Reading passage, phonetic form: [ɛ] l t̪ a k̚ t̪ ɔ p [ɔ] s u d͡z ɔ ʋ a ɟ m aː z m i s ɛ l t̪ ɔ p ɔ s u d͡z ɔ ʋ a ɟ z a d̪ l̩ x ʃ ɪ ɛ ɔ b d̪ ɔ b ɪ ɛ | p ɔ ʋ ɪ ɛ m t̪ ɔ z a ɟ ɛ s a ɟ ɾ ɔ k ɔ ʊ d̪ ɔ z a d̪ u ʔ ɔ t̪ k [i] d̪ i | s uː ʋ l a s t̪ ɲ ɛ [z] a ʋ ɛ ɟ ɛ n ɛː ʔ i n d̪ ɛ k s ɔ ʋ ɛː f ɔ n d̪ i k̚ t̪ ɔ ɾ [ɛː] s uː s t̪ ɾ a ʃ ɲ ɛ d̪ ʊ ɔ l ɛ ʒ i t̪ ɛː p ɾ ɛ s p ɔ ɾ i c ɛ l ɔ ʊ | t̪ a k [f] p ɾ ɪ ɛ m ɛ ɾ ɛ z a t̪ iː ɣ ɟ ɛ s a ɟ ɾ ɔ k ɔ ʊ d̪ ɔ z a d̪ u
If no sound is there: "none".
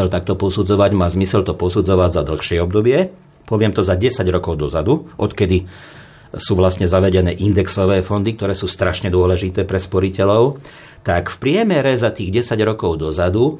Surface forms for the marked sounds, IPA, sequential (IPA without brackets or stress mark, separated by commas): ɛ, ɔ, ɛ, z, ɛː, f